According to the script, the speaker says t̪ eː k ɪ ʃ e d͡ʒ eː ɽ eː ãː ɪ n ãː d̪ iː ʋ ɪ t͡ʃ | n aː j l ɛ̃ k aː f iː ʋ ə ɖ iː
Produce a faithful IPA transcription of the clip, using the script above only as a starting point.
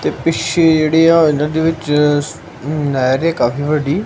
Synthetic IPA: t̪ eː p ɪ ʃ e d͡ʒ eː ɽ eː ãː ɪ n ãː d̪ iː ʋ ɪ t͡ʃ | n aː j ɾ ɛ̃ k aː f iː ʋ ə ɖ iː